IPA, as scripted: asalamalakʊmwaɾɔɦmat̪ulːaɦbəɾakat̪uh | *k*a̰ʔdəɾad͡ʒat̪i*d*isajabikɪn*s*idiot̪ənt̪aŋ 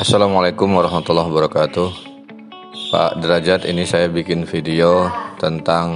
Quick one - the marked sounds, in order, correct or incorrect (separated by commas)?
incorrect, incorrect, incorrect